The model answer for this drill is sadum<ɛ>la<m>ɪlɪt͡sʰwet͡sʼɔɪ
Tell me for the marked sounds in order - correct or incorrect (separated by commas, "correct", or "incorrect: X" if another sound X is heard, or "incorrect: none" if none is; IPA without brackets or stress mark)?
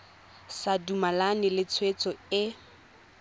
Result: incorrect: a, incorrect: n